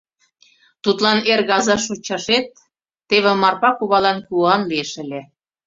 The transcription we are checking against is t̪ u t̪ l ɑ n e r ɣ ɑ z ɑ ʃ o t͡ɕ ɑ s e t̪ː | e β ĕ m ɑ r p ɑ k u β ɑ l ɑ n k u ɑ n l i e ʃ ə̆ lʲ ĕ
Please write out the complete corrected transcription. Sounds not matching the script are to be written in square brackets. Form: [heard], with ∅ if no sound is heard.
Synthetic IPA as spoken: t̪ u t̪ l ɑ n e r ɣ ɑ z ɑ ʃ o t͡ɕ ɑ [ʃ] e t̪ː | e β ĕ m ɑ r p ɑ k u β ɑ l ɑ n k u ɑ n l i e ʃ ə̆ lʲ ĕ